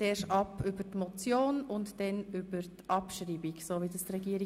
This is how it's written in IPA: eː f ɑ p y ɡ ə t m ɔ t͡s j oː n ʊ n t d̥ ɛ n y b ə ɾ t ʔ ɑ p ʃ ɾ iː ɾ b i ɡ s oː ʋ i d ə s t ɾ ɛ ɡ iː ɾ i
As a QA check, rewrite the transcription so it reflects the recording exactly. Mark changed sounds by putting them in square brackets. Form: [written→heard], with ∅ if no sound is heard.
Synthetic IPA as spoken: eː [f→ʃ] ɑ p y [ɡ→b] ə t m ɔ t͡s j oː n ʊ n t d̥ ɛ n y b ə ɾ t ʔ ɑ p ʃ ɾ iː [ɾ→∅] b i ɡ s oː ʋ i d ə s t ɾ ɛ ɡ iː ɾ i